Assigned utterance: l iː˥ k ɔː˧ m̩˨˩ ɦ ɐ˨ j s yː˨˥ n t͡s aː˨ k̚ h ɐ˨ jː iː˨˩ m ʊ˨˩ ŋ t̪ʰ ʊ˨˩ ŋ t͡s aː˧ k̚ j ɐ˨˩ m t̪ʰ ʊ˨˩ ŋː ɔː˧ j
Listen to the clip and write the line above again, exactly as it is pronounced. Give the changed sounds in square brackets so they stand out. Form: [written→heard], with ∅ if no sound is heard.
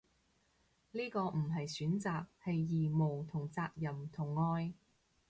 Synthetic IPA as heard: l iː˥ k ɔː˧ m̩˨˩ ɦ ɐ˨ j s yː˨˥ n t͡s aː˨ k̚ h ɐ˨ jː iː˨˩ m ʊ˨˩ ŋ t̪ʰ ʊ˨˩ ŋ t͡s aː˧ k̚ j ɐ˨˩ m t̪ʰ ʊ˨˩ ŋː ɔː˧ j